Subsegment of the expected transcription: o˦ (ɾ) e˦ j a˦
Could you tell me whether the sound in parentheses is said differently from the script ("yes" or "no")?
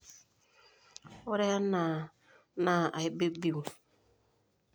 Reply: no